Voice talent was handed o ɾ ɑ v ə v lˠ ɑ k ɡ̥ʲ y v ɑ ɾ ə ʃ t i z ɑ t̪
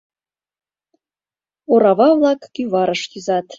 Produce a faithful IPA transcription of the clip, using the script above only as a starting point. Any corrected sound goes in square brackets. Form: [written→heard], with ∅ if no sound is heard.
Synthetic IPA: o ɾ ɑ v [ə→ɑ] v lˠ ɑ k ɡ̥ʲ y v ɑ ɾ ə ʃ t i z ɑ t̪